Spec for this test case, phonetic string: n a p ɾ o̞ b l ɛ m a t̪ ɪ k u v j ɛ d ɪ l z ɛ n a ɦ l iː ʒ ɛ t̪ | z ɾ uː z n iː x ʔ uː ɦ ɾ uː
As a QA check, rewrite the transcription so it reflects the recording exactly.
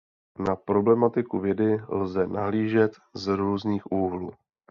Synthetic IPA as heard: n a p ɾ o̞ b l ɛ m a t̪ ɪ k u v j ɛ d ɪ l z ɛ n a ɦ l iː ʒ ɛ t̪ | z ɾ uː z n iː x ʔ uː ɦ l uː